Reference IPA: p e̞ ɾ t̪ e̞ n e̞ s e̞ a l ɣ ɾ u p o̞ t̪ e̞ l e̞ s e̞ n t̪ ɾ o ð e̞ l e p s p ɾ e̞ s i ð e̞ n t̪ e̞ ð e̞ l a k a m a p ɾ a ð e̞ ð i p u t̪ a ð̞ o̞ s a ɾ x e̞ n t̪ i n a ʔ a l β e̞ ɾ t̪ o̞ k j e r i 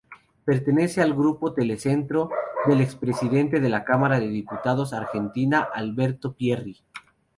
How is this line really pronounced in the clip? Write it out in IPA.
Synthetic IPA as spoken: p e̞ ɾ t̪ e̞ n e̞ s e̞ a l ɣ ɾ u p o̞ t̪ e̞ l e̞ s e̞ n t̪ ɾ o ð e̞ l e k s p ɾ e̞ s i ð e̞ n t̪ e̞ ð e̞ l a k a m a ɾ a ð e̞ ð i p u t̪ a ð̞ o̞ s a ɾ x e̞ n t̪ i n a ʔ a l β e̞ ɾ t̪ o̞ p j e r i

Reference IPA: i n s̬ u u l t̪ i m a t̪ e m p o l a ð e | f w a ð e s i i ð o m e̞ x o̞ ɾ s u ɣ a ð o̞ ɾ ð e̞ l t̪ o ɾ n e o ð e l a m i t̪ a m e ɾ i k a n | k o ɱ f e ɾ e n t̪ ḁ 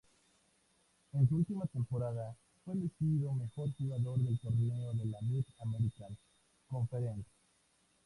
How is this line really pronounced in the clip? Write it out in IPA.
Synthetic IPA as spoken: e n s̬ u u l t̪ i m a t̪ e m p o ɾ a ð a | f w e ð e s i i ð o m e̞ x o̞ ɾ x u ɣ a ð o̞ ɾ ð e̞ l t̪ o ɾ n e o ð e l a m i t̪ a m e ɾ i k a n | k o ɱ f e ɾ e n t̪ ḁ

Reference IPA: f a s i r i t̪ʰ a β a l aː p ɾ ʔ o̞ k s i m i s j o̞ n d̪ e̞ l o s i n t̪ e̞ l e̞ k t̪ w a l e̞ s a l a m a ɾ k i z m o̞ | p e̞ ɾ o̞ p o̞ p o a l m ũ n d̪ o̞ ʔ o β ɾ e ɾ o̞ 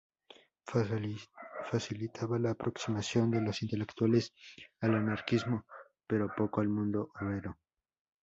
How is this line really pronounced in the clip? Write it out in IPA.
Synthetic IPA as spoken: f a s i l i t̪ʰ a β a l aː p ɾ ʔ o̞ k s i m a s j o̞ n d̪ e̞ l o s i n t̪ e̞ l e̞ k t̪ w a l e̞ s a l a n a ɾ k i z m o̞ | p e̞ ɾ o̞ p o̞ k o a l m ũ n d̪ o̞ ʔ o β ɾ e ɾ o̞

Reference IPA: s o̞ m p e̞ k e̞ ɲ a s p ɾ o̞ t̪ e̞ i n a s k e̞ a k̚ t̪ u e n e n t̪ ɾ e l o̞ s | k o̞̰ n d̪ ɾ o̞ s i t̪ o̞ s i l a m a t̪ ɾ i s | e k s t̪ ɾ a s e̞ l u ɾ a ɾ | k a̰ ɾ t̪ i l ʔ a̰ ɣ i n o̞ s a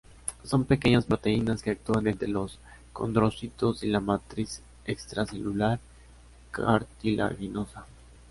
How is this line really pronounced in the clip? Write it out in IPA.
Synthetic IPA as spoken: s o̞ m p e̞ k e̞ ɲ a s p ɾ o̞ t̪ e̞ i n a s k e̞ a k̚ t̪ u a n e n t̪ ɾ e l o̞ s | k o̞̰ n d̪ ɾ o̞ s i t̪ o̞ s i l a m a t̪ ɾ i s | e k s t̪ ɾ a s e̞ l u l a ɾ | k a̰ ɾ t̪ i l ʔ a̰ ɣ i n o̞ s a

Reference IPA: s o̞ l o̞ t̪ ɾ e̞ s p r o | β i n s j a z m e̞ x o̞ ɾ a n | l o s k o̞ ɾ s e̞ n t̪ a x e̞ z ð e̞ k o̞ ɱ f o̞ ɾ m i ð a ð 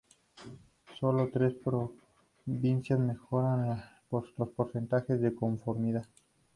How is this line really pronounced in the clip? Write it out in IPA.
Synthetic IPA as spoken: s o̞ l o̞ t̪ ɾ e̞ s p ɾ o | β i n s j a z m e̞ x o̞ ɾ a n | l o s p o̞ ɾ s e̞ n t̪ a x e̞ z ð e̞ k o̞ ɱ f o̞ ɾ m i ð a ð

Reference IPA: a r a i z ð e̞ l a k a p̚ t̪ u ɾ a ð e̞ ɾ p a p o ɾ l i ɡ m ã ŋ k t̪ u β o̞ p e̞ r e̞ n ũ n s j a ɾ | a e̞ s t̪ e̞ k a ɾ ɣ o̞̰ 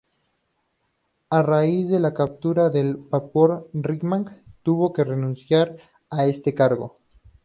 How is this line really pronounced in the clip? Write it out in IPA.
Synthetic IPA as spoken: a r a i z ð e̞ l a k a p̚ t̪ u ɾ a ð e̞ l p a p o ɾ r i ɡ m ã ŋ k t̪ u β o̞ k e̞ r e̞ n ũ n s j a ɾ | a e̞ s t̪ e̞ k a ɾ ɣ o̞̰

